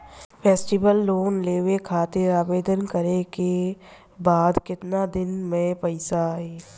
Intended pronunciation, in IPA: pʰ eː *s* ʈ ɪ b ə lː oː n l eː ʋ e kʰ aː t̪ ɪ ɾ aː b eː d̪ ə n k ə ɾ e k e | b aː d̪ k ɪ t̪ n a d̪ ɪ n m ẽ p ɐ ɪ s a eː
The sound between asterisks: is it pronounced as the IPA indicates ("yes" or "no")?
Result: yes